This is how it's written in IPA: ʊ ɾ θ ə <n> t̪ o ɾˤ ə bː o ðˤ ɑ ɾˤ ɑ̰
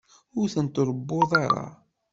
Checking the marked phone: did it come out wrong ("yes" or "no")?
no